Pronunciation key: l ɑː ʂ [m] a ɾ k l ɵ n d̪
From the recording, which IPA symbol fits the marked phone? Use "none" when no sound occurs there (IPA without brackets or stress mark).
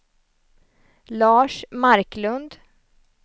m